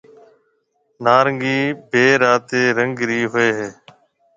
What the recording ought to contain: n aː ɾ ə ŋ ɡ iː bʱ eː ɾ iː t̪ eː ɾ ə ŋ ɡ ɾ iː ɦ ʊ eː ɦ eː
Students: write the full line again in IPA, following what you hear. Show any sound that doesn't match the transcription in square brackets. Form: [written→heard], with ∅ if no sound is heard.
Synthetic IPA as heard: n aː ɾ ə ŋ ɡ iː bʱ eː ɾ [iː→aː] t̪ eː ɾ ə ŋ ɡ ɾ iː ɦ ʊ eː ɦ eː